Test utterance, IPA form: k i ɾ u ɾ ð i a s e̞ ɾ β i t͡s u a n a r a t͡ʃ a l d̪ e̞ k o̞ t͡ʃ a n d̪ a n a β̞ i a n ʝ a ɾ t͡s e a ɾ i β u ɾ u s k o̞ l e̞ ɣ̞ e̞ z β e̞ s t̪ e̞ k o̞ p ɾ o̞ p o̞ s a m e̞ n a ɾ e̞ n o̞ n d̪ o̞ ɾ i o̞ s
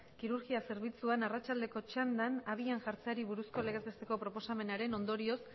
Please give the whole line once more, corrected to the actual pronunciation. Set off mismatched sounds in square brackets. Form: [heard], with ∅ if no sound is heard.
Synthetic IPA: k i ɾ u ɾ [ɣ] i a s e̞ ɾ β i t͡s u a n a r a t͡ʃ a l d̪ e̞ k o̞ t͡ʃ a n d̪ a n a β̞ i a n ʝ a ɾ t͡s e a ɾ i β u ɾ u s k o̞ l e̞ ɣ̞ e̞ z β e̞ s t̪ e̞ k o̞ p ɾ o̞ p o̞ s a m e̞ n a ɾ e̞ n o̞ n d̪ o̞ ɾ i o̞ s